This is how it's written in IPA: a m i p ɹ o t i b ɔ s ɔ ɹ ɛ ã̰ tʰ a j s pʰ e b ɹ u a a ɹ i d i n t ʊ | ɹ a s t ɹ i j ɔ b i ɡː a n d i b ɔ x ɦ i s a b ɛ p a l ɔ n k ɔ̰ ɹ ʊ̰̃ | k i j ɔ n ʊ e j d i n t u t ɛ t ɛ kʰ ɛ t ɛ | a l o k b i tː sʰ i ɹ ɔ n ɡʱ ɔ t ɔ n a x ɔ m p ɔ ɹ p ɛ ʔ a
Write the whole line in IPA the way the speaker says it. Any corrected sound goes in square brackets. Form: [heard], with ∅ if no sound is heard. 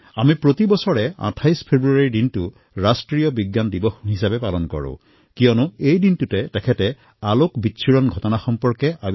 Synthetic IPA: a m i p ɹ o t i b ɔ s ɔ ɹ ɛ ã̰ tʰ a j s pʰ e b ɹ u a a ɹ i d i n t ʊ | ɹ a s t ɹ i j ɔ b i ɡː a n d i b ɔ x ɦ i s a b ɛ p a l ɔ n k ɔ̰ ɹ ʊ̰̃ | k i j ɔ n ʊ e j d i n t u t ɛ t ɛ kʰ ɛ t ɛ | a l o k b i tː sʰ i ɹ ɔ n ɡʱ ɔ t ɔ n a x ɔ m p ɔ ɹ [k] ɛ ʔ a